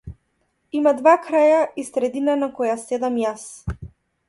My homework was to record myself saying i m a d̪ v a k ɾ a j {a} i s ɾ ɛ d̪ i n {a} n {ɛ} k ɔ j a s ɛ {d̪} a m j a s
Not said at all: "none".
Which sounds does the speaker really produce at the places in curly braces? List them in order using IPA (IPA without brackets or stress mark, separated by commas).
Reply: a, a, a, d̪